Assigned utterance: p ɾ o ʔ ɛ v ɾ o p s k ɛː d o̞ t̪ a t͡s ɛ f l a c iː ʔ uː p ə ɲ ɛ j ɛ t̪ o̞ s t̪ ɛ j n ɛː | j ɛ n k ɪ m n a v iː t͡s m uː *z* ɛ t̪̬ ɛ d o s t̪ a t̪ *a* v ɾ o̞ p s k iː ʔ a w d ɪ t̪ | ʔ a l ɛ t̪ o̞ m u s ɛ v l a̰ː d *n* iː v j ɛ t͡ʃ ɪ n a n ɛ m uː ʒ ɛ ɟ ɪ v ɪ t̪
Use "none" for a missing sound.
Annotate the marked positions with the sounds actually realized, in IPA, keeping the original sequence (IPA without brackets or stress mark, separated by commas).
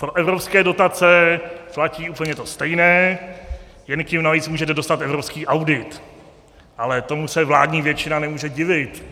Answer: ʒ, ɛ, ɲ